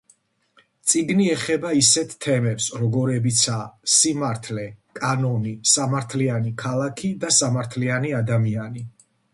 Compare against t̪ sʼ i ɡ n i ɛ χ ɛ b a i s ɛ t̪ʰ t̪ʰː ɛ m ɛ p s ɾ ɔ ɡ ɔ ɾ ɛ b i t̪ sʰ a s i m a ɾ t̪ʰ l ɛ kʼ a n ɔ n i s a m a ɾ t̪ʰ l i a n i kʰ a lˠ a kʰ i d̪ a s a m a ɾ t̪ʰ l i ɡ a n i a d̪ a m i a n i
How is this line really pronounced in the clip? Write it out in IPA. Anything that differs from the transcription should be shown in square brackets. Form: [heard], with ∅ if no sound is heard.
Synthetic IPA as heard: t̪ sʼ i ɡ n i ɛ χ ɛ b a i s ɛ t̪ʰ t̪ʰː ɛ m ɛ p s ɾ ɔ ɡ ɔ ɾ ɛ b i t̪ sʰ a s i m a ɾ t̪ʰ l ɛ kʼ a n ɔ n i s a m a ɾ t̪ʰ l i a n i kʰ a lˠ a kʰ i d̪ a s a m a ɾ t̪ʰ l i [∅] a n i a d̪ a m i a n i